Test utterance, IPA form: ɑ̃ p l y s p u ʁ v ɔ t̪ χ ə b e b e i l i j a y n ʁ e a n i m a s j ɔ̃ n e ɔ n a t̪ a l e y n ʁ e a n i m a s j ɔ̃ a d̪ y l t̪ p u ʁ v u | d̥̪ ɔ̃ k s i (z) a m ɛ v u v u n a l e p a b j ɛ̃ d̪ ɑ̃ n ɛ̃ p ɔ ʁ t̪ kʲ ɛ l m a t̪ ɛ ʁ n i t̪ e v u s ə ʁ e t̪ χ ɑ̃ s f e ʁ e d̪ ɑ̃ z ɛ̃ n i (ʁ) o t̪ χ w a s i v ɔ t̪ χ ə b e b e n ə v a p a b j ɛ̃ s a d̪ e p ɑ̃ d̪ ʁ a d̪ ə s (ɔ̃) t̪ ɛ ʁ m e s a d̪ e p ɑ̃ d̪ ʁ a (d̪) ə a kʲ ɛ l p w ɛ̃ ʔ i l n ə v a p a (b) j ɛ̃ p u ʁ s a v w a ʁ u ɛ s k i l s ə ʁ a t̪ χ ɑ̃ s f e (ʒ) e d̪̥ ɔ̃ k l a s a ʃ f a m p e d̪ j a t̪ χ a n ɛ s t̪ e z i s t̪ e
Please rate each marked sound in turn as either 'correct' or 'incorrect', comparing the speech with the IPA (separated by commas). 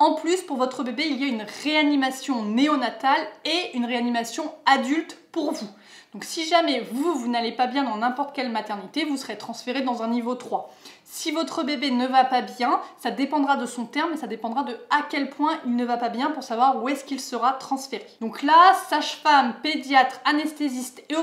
incorrect, incorrect, correct, correct, correct, incorrect